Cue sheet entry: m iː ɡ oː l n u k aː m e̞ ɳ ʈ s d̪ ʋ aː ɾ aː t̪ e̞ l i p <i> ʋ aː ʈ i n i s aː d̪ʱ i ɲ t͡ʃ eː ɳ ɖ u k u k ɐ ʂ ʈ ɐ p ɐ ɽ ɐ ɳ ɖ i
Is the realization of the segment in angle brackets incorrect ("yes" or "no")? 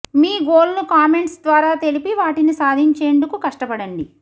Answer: no